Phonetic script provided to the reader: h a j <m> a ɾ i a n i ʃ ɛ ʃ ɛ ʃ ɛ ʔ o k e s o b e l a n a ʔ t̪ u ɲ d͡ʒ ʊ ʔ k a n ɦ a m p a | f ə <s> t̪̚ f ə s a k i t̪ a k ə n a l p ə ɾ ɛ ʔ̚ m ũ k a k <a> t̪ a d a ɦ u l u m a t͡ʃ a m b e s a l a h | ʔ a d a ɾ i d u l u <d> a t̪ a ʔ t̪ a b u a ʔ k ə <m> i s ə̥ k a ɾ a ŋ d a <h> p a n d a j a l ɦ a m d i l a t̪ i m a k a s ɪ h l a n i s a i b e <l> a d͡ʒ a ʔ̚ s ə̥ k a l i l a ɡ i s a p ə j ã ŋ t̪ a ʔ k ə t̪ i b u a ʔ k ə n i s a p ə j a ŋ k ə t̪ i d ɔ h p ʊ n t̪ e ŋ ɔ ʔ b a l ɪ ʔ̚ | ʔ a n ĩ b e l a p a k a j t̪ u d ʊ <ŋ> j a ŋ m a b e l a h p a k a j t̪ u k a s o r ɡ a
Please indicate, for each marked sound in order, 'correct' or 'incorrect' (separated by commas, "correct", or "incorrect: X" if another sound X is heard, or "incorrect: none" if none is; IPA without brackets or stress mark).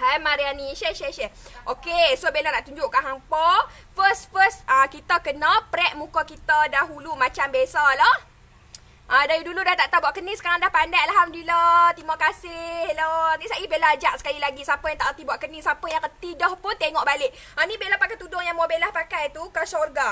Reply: correct, correct, incorrect: i, correct, incorrect: n, correct, correct, correct